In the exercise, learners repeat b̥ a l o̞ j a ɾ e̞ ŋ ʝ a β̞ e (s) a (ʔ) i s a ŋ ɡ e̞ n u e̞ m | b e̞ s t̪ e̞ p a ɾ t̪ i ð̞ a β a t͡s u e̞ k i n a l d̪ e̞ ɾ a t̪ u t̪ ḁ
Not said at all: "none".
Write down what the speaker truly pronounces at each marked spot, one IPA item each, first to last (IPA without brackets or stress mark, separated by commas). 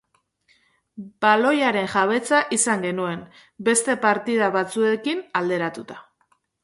t͡s, ʔ